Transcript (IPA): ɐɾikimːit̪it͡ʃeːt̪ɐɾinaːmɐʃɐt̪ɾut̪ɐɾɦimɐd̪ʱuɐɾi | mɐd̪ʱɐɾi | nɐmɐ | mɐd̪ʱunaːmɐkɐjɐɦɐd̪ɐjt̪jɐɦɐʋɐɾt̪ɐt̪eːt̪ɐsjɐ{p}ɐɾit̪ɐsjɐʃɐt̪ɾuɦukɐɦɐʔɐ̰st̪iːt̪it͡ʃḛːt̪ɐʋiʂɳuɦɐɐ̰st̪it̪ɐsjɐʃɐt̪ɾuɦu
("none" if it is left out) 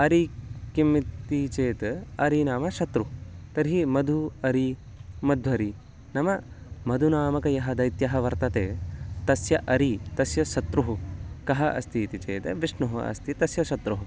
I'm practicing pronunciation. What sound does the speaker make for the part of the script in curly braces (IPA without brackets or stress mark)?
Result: ʔ